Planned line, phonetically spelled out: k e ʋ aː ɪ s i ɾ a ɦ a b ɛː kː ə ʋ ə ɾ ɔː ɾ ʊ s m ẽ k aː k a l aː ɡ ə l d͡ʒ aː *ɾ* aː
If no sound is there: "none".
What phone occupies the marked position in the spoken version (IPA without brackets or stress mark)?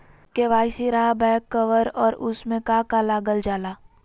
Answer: l